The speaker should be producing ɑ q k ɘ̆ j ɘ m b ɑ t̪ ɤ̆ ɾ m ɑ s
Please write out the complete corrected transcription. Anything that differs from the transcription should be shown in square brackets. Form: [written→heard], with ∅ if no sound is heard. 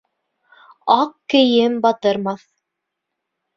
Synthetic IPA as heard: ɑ q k ɘ̆ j ɘ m b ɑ t̪ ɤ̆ ɾ m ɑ [s→θ]